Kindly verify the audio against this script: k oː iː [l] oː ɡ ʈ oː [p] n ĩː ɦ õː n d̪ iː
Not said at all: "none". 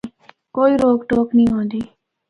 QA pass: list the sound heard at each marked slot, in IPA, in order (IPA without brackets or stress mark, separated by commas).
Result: ɾ, k